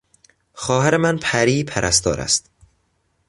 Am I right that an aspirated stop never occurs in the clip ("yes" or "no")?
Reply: no